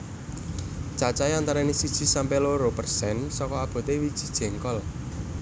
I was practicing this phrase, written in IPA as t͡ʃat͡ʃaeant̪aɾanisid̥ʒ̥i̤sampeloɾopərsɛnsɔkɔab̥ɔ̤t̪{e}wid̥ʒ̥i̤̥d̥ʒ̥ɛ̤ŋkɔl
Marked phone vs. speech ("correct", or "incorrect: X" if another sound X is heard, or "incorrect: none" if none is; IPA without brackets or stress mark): correct